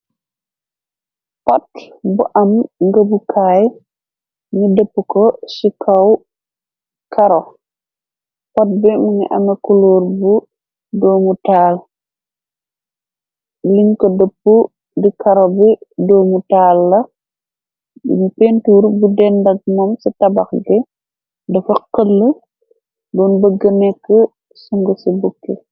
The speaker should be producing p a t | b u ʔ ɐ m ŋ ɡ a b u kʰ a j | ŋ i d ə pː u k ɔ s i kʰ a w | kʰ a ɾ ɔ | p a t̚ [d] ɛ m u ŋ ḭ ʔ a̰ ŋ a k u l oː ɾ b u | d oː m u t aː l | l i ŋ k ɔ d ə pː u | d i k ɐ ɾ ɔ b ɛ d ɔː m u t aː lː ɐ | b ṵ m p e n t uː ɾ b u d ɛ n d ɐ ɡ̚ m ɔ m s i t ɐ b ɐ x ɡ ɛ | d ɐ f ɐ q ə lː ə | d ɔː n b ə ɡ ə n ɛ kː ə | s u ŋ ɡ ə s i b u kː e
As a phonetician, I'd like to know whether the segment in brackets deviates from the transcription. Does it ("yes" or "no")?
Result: yes